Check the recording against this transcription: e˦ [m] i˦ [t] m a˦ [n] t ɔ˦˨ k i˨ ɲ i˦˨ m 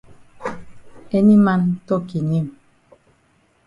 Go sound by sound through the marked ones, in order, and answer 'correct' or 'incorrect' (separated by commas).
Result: incorrect, incorrect, correct